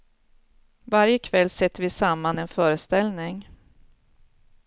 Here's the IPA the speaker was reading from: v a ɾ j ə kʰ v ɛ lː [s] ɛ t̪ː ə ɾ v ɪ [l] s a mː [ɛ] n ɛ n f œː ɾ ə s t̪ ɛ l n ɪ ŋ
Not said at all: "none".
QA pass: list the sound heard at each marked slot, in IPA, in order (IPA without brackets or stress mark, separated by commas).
s, none, a